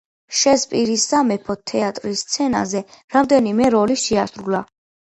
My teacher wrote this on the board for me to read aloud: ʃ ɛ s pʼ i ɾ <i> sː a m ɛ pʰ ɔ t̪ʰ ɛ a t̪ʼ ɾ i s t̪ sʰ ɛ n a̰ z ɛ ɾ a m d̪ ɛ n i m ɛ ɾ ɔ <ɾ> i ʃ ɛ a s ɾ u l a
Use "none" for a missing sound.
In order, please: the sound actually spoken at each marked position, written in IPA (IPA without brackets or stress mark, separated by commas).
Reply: i, l